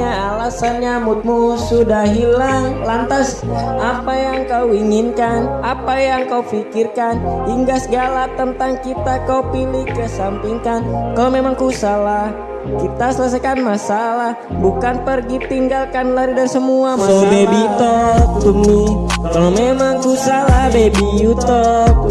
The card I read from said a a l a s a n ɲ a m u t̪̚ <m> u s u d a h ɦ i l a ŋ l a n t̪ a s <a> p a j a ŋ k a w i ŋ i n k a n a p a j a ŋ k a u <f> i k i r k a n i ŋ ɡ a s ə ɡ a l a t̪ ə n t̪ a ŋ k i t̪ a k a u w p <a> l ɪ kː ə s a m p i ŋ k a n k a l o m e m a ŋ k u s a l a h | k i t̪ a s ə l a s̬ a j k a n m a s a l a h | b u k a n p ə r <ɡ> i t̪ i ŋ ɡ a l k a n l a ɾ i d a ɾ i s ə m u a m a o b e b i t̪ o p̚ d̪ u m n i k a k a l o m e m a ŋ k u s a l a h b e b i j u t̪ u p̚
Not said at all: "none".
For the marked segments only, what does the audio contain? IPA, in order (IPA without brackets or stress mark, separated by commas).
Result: m, a, f, i, ɡ